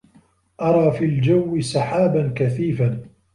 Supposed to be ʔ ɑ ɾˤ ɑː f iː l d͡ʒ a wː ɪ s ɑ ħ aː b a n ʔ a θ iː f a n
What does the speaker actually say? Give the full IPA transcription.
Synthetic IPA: ʔ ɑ ɾˤ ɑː f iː l d͡ʒ a wː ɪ s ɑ ħ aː b a n k a θ iː f a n